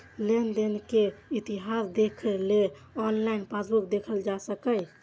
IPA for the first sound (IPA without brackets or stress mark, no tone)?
l